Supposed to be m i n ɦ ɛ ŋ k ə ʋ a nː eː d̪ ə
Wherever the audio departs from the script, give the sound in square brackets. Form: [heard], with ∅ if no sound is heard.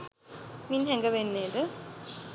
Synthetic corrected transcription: m i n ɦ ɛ ŋ [ɡ] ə ʋ [e] nː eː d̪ ə